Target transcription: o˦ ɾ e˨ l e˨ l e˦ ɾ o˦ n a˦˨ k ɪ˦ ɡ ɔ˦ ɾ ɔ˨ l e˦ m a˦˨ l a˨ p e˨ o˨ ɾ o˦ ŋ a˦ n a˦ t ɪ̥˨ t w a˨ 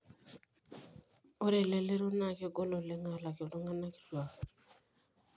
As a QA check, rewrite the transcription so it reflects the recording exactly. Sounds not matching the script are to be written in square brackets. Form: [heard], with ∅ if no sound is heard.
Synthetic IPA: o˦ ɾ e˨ l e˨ l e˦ ɾ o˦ n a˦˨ k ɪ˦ ɡ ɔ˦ [l] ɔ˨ l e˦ [ŋ] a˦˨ l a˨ [k] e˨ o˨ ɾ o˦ ŋ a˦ n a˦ [k] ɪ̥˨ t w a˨

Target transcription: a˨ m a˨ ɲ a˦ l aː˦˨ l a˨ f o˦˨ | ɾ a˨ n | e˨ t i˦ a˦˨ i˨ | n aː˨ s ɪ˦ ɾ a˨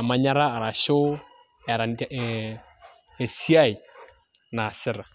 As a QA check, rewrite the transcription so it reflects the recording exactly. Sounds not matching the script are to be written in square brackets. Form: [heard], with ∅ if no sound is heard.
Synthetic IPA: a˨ m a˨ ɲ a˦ [ɾ] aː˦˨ [ɾ] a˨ [ʃ] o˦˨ | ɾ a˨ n | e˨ [s] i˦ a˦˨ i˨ | n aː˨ s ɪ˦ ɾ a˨

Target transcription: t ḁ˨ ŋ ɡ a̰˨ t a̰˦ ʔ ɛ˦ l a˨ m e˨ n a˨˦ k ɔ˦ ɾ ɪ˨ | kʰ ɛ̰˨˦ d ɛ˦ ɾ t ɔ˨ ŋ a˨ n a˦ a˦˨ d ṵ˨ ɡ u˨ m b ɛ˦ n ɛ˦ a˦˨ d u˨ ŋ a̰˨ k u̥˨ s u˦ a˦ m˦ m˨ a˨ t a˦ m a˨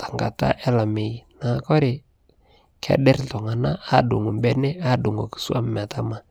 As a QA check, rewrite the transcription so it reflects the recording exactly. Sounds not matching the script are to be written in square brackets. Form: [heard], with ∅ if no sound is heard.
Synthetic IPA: t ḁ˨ ŋ ɡ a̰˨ t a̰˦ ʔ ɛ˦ l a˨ m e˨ n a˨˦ k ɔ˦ ɾ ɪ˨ | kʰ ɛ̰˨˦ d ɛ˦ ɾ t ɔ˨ ŋ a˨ n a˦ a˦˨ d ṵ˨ [ŋ] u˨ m b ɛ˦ n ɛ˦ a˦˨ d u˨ ŋ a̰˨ k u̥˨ s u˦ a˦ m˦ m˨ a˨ t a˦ m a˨

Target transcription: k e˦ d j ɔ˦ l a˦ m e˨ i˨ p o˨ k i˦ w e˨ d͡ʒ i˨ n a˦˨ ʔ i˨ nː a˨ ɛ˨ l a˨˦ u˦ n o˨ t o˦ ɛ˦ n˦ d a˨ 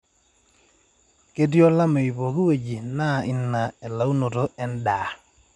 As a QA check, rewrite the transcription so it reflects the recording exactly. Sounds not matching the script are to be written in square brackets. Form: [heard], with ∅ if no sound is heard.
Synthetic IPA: k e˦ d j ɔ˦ l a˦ m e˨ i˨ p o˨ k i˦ w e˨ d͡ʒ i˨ n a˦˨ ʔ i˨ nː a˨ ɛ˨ l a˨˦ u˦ n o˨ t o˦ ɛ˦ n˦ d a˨

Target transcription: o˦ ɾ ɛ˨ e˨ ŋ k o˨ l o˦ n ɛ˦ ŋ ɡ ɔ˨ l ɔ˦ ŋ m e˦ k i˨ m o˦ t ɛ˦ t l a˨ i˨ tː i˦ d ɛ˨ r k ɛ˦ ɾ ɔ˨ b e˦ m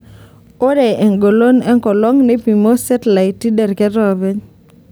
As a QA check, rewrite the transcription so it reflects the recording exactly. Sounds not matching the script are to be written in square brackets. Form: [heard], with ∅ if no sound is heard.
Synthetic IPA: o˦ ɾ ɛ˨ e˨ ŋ [ɡ] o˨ l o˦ n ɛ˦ ŋ [k] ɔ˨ l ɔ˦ ŋ [n] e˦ [p] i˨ m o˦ [s] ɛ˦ t l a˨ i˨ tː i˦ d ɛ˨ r k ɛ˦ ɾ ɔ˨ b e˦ [ɲ]

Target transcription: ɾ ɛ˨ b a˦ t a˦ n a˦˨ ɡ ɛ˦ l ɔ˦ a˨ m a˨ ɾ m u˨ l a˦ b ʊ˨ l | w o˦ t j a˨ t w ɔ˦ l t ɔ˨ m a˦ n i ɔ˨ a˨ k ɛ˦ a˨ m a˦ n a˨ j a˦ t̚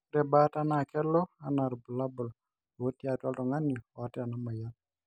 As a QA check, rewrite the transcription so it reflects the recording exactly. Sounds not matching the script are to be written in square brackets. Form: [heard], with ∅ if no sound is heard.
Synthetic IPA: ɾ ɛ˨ b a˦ t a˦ n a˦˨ [k] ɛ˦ l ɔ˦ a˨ [n] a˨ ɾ [b] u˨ l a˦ b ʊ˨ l | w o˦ t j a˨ t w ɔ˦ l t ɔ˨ [ŋ] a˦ n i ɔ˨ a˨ [t] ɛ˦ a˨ [n] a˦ [m] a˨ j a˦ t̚

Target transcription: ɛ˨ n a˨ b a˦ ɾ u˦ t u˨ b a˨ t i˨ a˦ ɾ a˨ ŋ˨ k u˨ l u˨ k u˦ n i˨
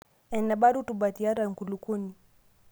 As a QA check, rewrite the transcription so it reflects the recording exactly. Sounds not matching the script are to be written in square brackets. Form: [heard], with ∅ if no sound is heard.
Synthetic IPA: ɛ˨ n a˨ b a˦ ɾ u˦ t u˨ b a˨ t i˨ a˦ ɾ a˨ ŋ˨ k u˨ l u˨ k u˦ n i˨

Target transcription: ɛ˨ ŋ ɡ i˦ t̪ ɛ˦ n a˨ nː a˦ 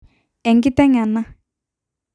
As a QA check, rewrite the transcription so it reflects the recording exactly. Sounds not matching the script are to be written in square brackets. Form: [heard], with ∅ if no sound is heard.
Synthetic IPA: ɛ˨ ŋ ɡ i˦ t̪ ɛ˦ [ŋ] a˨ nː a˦

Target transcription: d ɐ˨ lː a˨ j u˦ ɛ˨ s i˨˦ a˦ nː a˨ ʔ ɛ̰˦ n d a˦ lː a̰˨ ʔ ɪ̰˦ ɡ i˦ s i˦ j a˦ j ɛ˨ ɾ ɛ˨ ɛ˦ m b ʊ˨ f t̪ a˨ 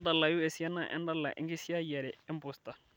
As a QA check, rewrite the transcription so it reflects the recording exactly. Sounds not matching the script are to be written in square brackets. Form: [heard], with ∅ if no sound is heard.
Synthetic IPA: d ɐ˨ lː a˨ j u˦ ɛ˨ s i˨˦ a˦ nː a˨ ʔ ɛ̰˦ n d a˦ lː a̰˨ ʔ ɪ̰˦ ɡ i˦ s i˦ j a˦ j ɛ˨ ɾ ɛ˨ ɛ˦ m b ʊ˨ [s] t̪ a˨

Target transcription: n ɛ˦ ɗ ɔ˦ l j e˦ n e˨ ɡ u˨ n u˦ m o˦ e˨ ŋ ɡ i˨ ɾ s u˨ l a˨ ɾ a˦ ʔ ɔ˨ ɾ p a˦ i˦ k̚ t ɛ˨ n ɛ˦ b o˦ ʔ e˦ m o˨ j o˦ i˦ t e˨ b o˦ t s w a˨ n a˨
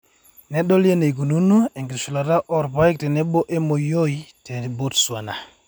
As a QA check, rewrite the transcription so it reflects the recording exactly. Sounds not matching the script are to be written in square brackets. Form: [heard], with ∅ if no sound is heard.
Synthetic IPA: n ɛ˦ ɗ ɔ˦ l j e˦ n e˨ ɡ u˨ n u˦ [n] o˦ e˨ ŋ ɡ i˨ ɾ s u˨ l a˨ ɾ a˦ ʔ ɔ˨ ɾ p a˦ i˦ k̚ t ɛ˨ n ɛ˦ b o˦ ʔ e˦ m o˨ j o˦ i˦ t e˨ b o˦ t s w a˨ n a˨

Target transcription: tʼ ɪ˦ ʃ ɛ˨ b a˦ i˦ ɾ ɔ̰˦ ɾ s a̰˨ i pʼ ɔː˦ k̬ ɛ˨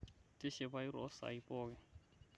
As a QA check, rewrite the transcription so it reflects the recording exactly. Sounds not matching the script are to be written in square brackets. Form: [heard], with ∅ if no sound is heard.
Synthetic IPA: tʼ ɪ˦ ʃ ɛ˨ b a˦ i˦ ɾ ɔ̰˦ [∅] s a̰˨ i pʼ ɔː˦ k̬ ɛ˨

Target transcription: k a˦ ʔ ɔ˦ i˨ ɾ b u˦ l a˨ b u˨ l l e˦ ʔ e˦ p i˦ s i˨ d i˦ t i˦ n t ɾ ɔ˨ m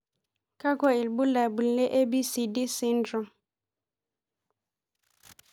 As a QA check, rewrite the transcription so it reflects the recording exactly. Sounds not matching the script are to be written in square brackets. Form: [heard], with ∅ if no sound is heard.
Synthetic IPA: k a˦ [k] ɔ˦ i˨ [l] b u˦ l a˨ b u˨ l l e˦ ʔ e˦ [b] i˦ s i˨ d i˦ [s] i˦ n [d] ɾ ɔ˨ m

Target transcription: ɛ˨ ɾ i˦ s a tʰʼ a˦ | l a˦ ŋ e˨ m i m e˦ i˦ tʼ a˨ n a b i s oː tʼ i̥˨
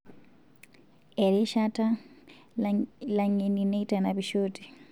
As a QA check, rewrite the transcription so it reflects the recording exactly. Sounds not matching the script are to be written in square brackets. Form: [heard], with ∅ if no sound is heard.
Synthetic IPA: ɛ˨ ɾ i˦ [ʃ] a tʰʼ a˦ | l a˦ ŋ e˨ [n] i [n] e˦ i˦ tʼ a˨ n a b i [ʃ] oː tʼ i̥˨

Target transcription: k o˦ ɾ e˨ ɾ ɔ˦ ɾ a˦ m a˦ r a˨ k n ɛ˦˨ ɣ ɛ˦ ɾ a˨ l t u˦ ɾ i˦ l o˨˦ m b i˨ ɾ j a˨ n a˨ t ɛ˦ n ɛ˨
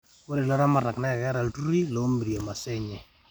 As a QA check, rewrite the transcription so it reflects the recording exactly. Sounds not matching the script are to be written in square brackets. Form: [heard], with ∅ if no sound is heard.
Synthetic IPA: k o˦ ɾ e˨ [l] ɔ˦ ɾ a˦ m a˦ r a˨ k n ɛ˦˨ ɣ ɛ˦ ɾ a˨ l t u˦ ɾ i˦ l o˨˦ m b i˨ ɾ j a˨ [m] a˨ [s] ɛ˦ [ɲ] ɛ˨

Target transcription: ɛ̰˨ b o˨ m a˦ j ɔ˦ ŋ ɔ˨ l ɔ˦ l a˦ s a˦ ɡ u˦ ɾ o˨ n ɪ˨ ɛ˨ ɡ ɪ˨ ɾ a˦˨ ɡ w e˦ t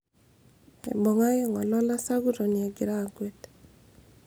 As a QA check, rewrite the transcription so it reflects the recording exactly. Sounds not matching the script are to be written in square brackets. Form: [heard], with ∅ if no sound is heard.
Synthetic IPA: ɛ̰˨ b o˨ [ŋ] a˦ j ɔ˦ ŋ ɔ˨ l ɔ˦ l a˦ s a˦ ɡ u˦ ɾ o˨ n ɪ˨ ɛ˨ ɡ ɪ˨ ɾ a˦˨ ɡ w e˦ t

